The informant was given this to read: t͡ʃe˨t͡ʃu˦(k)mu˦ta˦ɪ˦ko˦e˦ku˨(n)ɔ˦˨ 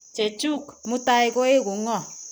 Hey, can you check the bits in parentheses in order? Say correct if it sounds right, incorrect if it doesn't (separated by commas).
correct, incorrect